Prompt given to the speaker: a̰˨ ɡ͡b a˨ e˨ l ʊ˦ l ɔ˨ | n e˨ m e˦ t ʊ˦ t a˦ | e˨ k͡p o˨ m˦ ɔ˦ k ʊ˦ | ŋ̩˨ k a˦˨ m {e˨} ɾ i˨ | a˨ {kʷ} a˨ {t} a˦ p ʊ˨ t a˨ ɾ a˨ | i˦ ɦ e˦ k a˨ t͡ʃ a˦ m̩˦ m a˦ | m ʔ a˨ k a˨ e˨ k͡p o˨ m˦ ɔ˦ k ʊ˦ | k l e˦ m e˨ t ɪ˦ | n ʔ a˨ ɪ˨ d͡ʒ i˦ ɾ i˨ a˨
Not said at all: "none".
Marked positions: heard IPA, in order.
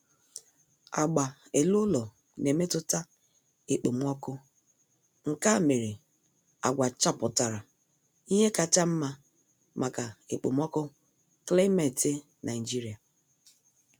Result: e˨, ɡʷ, t͡ʃ

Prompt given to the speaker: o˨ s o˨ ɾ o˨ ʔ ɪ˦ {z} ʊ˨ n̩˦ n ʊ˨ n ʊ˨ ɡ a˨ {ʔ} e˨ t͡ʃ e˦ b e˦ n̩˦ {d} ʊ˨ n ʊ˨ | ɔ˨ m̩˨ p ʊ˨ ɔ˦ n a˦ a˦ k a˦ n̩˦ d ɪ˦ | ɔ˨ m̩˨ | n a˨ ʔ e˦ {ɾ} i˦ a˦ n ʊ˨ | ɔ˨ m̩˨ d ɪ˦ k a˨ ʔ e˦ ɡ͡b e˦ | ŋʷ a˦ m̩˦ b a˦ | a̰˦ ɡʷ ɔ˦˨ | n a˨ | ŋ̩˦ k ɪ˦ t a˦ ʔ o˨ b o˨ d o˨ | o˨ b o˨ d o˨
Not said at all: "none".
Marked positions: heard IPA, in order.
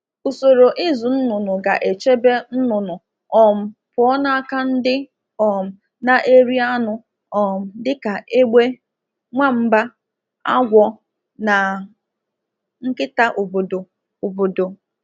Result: z, ʔ, n, ɾ

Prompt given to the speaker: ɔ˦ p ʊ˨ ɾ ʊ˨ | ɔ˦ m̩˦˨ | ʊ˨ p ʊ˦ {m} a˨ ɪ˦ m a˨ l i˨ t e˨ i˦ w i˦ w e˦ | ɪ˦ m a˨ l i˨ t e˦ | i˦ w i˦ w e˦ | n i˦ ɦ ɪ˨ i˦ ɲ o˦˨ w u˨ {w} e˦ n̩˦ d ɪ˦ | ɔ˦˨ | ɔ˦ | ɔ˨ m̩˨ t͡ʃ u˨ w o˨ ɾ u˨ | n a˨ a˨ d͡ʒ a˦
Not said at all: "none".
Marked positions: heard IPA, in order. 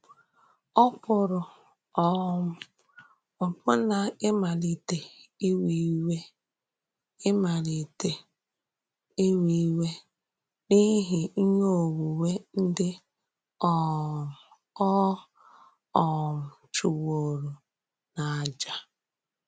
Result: n, w

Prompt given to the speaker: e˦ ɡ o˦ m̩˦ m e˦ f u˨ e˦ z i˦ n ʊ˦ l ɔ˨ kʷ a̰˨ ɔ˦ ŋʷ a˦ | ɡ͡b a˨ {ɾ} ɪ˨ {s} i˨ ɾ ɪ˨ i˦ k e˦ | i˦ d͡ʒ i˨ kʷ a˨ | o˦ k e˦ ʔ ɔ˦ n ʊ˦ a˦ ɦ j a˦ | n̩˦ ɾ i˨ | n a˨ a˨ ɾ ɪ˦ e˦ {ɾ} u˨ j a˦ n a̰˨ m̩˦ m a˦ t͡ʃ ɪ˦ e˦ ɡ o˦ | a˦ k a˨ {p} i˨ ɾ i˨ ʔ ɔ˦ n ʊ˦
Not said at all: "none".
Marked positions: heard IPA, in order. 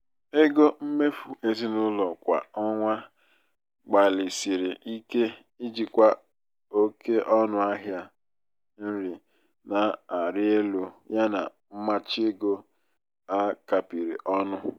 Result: l, s, l, p

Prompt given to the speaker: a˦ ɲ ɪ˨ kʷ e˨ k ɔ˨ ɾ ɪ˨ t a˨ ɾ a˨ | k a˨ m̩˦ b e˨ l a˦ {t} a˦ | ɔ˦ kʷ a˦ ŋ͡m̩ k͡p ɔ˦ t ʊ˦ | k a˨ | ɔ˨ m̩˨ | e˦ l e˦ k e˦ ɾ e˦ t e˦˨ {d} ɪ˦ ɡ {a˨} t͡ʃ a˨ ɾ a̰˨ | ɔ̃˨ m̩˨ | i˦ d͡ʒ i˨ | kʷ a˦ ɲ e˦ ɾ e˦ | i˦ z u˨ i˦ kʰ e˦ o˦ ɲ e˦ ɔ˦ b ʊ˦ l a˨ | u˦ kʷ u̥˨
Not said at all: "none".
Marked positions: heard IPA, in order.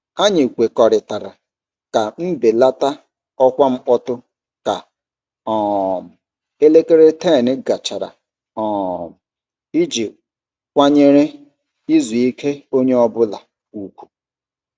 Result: t, n, a˨

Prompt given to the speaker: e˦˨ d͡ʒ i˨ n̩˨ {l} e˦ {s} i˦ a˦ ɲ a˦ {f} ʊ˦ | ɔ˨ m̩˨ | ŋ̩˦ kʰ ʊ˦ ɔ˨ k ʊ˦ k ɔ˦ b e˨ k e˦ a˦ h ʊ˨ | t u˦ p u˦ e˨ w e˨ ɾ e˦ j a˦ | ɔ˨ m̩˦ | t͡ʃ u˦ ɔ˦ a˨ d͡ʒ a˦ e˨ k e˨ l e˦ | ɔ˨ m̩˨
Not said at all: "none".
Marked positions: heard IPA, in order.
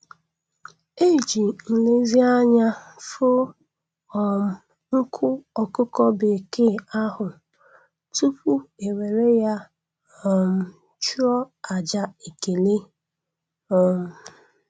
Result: l, z, f

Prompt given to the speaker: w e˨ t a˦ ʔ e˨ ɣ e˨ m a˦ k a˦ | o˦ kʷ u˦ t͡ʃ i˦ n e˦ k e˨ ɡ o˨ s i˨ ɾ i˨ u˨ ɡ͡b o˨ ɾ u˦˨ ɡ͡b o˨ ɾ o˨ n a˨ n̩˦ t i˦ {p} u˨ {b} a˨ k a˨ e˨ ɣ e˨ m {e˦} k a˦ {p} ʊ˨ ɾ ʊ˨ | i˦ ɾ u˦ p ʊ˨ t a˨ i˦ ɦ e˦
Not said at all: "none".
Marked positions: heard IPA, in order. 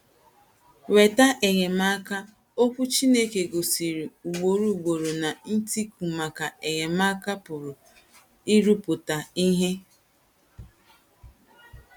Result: k, m, a˦, p

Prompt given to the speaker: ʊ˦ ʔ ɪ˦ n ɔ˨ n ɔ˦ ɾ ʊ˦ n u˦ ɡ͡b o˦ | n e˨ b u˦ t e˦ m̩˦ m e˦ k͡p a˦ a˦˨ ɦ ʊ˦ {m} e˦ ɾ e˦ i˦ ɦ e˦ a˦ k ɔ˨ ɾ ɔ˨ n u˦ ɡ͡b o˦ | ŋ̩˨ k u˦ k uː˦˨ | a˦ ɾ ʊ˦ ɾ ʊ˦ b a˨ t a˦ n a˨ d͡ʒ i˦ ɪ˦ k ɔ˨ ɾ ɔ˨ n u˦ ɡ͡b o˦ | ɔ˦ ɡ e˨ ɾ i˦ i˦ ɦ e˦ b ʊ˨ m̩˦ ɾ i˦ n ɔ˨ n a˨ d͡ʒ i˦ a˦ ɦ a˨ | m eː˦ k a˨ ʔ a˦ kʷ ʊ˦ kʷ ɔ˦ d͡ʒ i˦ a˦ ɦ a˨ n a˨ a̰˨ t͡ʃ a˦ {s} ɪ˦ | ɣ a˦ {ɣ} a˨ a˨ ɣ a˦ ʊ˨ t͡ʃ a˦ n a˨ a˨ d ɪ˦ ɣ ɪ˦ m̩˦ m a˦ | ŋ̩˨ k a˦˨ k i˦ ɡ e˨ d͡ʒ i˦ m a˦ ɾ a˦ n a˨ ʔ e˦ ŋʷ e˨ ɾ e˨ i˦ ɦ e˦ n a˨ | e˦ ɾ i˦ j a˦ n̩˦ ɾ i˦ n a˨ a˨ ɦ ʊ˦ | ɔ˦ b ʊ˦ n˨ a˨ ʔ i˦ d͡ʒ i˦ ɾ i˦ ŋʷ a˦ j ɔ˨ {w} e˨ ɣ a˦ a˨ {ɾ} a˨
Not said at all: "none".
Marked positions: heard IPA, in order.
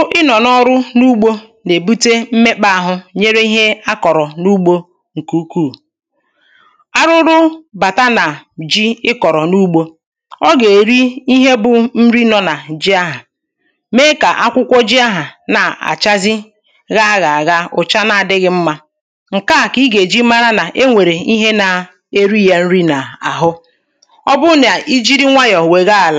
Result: ɲ, z, ɣ, w, l

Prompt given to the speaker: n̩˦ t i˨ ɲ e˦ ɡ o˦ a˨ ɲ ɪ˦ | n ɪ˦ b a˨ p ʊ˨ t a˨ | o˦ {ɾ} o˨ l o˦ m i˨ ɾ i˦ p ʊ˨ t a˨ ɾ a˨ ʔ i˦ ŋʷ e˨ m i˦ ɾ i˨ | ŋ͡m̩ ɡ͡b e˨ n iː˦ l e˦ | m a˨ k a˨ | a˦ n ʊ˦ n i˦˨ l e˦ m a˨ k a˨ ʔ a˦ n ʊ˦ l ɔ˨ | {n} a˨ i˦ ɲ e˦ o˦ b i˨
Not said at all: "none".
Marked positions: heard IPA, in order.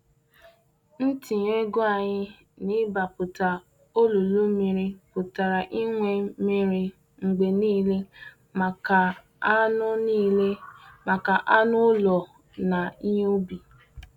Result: l, n

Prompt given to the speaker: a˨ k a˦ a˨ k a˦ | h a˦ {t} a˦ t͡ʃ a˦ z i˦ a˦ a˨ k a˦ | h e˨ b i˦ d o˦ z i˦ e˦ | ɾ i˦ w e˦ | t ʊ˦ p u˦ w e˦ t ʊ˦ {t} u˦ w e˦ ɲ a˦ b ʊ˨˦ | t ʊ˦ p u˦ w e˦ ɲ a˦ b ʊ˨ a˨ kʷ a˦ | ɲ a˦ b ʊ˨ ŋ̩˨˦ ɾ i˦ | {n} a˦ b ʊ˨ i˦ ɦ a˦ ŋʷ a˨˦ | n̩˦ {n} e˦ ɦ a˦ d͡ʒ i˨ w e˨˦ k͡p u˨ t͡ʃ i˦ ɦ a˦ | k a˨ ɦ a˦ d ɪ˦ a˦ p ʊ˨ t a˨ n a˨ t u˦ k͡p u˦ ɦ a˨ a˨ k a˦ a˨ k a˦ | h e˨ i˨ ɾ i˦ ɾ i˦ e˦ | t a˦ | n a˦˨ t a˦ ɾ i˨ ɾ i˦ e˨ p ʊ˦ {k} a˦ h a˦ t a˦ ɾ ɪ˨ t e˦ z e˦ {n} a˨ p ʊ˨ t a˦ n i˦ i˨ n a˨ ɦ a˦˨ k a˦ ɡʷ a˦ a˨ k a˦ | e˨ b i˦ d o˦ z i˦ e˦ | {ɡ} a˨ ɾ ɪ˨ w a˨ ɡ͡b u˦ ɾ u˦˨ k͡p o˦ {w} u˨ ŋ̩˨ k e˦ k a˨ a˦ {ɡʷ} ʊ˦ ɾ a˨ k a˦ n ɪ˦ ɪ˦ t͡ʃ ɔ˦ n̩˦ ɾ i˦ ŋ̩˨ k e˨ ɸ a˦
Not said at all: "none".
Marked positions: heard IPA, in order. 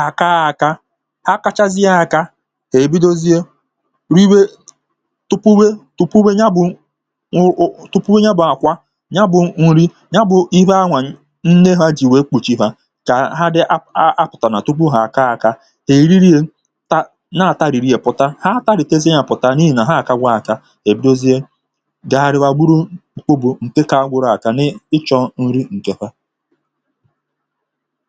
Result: k, p, ɲ, n, t, ɲ, ɡ, b, ɡʷ

